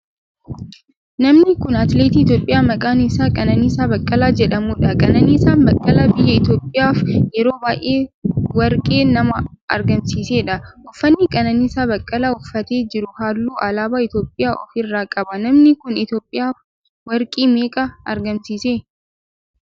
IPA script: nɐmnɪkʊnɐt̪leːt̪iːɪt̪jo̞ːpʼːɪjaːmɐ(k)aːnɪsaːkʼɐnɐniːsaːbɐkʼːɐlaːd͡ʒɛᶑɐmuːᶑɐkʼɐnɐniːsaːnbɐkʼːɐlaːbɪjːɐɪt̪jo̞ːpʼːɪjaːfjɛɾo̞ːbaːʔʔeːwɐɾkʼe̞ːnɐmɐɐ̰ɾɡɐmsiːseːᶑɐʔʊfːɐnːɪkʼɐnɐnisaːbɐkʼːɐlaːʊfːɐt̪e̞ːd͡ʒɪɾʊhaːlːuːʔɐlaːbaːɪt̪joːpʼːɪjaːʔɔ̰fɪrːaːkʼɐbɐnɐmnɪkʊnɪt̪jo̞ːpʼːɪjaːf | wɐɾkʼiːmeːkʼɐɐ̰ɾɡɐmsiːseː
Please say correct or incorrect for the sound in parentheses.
incorrect